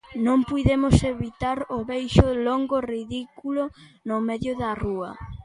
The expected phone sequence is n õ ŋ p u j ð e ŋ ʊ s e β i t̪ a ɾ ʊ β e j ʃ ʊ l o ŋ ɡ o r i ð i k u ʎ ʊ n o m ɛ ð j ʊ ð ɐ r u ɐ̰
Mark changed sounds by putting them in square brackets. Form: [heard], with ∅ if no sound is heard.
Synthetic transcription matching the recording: n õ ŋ p u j ð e [m] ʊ s e β i t̪ a ɾ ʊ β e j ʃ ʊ l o ŋ ɡ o r i ð i k u [l] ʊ n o m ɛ ð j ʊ ð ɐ r u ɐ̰